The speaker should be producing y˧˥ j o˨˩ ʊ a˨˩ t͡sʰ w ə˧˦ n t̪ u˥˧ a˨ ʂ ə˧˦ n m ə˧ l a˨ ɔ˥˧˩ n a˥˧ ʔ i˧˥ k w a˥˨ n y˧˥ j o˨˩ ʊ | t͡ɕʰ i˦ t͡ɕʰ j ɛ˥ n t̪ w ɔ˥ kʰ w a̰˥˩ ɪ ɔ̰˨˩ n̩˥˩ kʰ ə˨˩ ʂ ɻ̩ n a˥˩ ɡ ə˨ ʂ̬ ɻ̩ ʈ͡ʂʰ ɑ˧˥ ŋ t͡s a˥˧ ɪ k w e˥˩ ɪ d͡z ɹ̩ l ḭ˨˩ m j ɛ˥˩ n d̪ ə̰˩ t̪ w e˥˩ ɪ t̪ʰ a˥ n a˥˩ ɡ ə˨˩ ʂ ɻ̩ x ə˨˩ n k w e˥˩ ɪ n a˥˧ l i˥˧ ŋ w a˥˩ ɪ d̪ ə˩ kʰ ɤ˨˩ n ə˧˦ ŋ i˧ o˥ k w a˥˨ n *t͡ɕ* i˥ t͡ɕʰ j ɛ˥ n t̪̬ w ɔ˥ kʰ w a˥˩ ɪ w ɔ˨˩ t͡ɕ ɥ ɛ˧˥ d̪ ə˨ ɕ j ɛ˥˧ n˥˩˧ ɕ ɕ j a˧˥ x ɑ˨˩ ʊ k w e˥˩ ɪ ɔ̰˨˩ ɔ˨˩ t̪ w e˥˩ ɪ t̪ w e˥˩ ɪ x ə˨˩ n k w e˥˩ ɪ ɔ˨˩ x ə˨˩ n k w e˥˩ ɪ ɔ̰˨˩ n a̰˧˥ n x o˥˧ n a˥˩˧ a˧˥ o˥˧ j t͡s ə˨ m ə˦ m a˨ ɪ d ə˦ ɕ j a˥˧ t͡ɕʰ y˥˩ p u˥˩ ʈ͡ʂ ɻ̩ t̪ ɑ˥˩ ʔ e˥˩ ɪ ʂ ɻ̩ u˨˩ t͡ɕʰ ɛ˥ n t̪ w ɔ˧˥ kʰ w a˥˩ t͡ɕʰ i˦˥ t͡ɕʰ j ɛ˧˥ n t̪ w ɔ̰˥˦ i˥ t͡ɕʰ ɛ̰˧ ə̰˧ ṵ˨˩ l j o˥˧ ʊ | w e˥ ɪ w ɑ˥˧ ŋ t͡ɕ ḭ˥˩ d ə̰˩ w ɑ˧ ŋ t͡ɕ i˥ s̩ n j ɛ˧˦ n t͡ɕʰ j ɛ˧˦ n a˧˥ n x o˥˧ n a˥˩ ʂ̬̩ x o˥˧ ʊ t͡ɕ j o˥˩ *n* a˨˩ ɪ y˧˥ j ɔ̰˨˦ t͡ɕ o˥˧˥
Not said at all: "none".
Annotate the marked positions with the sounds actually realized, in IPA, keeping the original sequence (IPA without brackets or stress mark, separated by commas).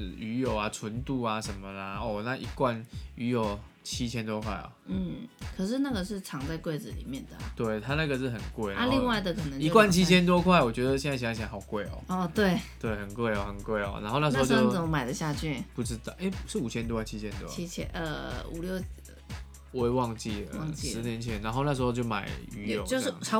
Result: t͡ɕʰ, m